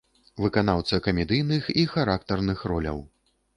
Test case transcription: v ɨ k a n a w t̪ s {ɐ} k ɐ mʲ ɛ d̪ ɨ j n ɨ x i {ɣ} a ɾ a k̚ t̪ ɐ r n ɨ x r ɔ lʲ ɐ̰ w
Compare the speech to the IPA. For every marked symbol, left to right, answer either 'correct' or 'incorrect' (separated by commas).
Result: correct, incorrect